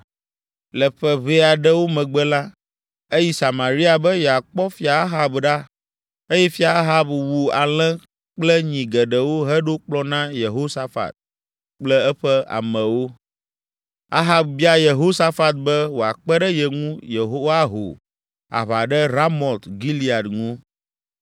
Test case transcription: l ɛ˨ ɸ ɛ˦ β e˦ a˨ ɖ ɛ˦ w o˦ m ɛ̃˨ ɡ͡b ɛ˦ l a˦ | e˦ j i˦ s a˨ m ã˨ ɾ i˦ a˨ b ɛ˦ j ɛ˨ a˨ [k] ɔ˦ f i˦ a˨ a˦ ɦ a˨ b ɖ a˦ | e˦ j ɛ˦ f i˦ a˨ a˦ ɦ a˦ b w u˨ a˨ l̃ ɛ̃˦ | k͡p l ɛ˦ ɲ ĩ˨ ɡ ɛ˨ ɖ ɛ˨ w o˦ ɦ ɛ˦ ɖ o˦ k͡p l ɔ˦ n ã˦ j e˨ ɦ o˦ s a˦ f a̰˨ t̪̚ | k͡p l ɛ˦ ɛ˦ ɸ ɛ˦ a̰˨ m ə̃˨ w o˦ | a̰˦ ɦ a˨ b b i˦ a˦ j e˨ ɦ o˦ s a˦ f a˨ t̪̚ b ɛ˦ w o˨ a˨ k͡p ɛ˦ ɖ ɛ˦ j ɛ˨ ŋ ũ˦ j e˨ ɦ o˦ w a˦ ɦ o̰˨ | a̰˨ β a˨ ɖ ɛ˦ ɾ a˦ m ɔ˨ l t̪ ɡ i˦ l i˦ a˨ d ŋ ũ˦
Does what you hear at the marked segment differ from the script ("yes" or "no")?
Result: yes